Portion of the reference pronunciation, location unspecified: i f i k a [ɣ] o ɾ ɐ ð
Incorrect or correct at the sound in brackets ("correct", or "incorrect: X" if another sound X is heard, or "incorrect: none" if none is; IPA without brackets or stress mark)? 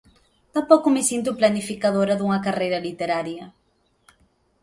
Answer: incorrect: ð